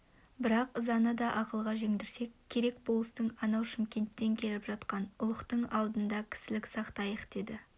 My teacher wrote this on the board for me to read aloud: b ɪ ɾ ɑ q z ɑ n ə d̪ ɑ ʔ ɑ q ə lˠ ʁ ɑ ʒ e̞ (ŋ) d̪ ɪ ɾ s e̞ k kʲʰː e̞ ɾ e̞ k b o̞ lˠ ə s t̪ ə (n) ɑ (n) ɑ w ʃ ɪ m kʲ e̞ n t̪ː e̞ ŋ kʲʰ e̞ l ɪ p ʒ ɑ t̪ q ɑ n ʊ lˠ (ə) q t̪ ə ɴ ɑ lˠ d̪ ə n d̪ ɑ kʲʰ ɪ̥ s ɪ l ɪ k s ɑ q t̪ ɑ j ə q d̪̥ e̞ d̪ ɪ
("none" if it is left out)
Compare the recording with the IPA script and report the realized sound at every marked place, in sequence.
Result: ŋ, ɴ, n, ə

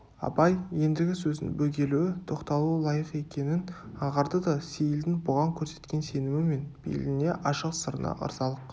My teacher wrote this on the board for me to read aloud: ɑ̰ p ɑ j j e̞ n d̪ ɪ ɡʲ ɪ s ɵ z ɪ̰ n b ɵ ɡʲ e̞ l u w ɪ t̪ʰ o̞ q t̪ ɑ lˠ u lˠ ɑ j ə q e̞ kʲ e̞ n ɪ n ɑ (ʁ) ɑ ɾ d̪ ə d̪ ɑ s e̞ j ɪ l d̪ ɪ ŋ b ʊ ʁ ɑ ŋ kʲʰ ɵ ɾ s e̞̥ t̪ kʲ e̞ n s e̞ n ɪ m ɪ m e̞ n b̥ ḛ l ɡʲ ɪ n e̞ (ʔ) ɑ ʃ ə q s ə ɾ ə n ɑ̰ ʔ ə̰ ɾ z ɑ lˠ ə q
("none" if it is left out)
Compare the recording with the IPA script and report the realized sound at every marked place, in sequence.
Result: ʁ, ʔ

